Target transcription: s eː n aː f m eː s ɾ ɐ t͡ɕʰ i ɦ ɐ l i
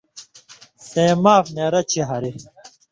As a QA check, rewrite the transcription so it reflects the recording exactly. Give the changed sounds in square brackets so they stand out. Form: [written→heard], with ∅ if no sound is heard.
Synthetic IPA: s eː [n→m] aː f [m→n] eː [s→∅] ɾ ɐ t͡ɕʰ i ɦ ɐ [l→ɾ] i